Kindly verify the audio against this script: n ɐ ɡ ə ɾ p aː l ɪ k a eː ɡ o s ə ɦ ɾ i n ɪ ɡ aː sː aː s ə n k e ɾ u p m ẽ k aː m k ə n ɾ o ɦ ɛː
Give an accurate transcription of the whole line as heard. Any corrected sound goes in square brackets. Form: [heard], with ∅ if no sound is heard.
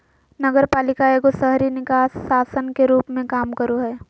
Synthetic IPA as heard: n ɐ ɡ ə ɾ p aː l ɪ k a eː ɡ o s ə ɦ ɾ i n ɪ [k] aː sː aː s ə n k e ɾ [uː] p m ẽ k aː m k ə [∅] ɾ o ɦ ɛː